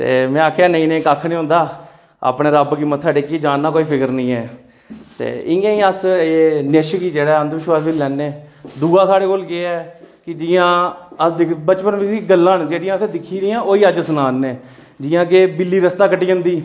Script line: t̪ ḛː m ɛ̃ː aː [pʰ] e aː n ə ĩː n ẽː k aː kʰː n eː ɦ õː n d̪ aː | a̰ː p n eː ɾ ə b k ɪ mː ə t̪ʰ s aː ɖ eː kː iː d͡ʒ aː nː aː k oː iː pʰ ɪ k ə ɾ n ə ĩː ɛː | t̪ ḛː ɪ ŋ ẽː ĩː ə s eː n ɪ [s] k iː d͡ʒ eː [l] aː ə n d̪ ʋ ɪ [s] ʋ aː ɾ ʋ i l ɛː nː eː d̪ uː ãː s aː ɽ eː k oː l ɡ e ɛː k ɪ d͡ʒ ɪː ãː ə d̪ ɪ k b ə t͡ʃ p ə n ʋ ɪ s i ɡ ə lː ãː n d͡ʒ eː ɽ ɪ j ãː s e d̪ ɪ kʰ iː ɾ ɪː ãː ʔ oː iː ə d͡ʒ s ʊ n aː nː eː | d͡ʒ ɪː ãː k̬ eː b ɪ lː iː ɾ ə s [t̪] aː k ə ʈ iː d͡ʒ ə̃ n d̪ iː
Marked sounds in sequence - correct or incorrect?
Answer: incorrect: kʰ, incorrect: ʃ, incorrect: ɽ, incorrect: ʃ, correct

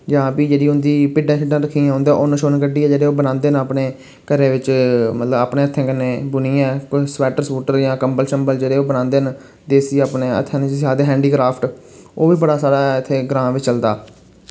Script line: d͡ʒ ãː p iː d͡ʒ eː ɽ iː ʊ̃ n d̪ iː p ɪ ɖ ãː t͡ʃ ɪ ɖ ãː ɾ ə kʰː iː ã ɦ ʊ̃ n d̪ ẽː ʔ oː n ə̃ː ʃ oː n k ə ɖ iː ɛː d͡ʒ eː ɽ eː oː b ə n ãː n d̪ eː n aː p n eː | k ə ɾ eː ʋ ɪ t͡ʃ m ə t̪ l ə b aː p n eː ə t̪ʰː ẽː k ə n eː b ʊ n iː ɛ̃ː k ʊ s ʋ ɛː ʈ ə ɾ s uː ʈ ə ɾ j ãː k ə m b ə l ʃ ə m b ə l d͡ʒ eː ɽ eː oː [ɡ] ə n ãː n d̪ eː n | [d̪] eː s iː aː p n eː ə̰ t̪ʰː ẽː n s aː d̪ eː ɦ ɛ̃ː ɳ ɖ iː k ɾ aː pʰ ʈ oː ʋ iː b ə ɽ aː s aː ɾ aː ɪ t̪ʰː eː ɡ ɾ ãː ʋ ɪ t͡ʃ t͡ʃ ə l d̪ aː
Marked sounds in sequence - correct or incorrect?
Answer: incorrect: b, correct

